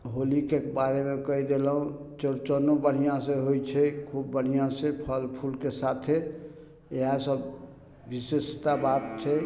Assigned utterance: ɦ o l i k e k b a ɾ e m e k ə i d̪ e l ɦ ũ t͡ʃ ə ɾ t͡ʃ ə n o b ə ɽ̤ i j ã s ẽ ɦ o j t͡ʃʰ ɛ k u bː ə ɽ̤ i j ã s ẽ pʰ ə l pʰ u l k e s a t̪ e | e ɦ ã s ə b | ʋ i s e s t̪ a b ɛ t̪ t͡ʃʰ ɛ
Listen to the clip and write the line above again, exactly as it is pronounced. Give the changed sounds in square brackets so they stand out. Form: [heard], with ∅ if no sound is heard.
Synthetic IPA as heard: ɦ o l i k e k b a ɾ e m e k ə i d̪ e l ɦ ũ t͡ʃ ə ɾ t͡ʃ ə n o b ə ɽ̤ i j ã s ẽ ɦ o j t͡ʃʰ ɛ [kʰ] u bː ə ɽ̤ i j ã s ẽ pʰ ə l pʰ u l k e s a [t̪ʰ] e | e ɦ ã s ə b | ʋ i s e s t̪ a b [a] t̪ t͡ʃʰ ɛ